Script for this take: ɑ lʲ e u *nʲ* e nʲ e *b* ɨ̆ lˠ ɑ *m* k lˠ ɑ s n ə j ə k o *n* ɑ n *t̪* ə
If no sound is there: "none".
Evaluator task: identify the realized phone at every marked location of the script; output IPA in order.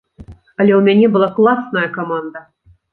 mʲ, b, none, m, d̪

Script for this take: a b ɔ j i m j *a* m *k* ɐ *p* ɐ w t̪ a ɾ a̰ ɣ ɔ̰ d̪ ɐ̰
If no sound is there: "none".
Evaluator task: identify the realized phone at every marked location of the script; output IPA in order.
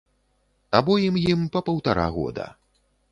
i, p, p

